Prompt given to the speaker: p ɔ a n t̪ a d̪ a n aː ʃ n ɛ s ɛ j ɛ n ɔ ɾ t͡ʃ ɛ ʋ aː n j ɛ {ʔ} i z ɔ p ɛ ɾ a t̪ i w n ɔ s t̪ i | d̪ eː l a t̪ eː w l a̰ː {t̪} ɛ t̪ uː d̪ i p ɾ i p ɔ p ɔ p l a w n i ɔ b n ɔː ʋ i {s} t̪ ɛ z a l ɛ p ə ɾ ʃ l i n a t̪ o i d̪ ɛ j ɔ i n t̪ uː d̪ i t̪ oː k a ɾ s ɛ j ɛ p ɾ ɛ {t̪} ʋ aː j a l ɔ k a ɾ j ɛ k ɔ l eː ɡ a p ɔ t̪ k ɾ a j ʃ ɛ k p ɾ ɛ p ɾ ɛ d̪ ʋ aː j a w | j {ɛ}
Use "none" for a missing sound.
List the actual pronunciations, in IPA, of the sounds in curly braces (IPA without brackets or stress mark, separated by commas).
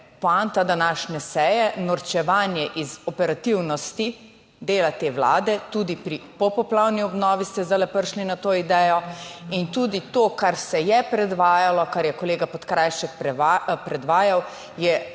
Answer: ʔ, d̪, s, d̪, ɛ